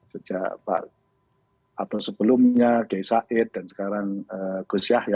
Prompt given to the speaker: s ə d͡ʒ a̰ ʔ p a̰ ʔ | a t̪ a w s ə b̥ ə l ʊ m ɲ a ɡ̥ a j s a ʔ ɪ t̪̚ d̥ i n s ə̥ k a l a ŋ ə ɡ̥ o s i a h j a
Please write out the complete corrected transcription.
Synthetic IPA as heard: s ə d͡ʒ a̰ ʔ p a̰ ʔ | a t̪ a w s ə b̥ ə l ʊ m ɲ a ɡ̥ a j s a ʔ ɪ t̪̚ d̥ a n s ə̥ k a ɾ a ŋ ə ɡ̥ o s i a h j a